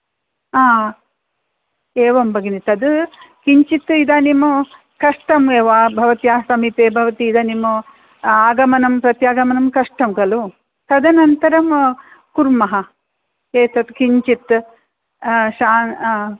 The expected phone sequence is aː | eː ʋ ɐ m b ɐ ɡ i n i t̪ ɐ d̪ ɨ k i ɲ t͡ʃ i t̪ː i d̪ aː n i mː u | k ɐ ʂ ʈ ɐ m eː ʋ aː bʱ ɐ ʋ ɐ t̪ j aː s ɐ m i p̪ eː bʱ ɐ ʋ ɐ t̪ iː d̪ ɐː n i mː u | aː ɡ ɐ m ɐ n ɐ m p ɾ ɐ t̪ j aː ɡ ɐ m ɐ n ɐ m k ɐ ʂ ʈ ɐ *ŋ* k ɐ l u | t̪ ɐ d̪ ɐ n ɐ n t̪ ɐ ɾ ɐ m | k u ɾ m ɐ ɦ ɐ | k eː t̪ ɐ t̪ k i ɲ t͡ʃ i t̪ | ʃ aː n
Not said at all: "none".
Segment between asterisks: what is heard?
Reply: m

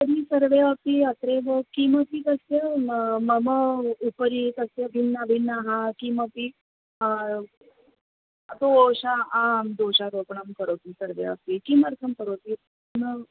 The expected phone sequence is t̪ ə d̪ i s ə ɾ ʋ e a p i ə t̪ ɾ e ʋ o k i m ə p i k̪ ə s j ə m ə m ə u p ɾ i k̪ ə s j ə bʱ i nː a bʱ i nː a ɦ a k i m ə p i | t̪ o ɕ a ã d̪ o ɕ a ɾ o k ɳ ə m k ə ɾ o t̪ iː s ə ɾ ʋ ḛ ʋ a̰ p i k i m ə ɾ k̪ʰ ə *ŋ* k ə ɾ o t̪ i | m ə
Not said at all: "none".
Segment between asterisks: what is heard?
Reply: m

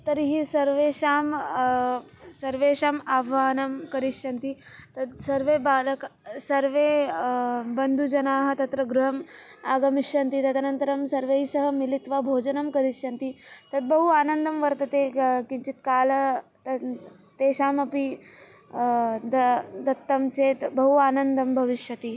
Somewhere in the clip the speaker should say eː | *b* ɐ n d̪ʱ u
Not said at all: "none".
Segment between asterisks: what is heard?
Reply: b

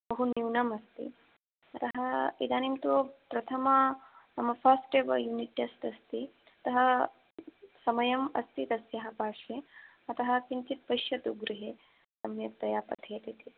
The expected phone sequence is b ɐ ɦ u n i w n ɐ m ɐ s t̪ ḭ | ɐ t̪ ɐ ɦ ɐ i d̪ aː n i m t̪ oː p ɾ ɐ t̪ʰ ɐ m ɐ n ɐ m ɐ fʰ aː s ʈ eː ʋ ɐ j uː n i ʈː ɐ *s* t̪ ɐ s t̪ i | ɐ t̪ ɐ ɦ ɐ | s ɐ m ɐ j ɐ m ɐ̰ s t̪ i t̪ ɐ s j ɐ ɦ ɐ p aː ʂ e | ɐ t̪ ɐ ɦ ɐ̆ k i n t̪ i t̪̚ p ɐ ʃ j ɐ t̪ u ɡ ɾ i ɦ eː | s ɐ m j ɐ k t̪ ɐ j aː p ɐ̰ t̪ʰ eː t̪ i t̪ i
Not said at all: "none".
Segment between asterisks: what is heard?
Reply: s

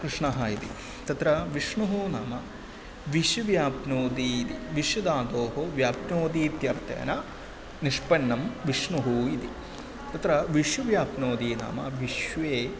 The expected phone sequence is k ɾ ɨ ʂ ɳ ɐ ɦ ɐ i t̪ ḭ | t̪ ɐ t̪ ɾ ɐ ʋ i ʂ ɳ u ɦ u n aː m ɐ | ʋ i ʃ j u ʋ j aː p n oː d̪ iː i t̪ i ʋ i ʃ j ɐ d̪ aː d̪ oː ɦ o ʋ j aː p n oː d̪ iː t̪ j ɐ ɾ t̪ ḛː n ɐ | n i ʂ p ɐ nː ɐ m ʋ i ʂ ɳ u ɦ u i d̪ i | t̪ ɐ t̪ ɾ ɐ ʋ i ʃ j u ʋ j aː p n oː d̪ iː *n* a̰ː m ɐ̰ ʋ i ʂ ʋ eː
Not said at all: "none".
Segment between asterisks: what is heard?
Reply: n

